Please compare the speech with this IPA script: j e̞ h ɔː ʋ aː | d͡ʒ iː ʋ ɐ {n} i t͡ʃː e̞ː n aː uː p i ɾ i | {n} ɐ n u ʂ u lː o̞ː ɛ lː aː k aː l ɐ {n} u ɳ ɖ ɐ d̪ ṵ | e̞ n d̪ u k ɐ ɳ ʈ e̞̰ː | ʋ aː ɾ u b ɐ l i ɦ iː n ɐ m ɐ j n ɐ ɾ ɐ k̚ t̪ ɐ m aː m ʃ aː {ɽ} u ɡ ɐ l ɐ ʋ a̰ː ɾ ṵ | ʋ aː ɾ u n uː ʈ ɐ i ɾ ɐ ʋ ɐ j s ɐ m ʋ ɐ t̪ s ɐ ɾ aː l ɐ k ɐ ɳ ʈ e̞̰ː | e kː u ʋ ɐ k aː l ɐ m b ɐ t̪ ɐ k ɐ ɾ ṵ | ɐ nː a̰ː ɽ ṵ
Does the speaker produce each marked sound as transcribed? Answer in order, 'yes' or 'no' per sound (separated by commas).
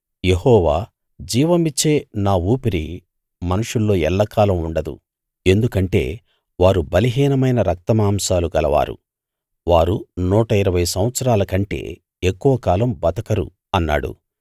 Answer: no, no, no, no